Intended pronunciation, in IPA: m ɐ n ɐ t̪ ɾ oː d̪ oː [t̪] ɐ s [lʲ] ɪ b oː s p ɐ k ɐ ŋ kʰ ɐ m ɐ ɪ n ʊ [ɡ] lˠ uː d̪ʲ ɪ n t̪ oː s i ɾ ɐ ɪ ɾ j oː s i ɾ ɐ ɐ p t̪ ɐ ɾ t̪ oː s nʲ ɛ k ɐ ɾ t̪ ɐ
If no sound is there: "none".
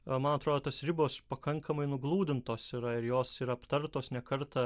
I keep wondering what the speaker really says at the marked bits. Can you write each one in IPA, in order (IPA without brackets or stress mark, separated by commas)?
t̪, ɾʲ, ɡ